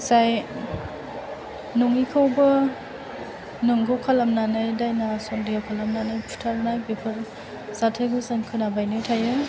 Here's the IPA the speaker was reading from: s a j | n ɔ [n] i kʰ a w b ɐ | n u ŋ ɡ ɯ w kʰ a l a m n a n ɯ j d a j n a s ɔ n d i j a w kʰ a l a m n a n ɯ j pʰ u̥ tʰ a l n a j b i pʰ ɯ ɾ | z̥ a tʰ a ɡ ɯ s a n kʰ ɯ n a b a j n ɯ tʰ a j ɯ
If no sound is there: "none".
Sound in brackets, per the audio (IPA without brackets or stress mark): ŋ